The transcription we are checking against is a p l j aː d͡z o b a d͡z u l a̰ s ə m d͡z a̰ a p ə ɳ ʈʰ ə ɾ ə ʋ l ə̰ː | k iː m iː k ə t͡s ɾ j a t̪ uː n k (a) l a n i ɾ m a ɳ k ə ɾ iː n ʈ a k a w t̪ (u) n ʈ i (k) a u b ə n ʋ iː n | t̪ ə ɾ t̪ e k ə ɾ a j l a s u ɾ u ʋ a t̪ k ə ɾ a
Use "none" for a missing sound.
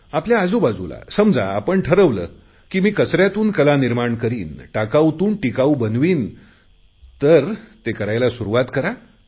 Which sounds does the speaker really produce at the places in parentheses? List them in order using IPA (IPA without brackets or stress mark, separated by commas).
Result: ə, uː, k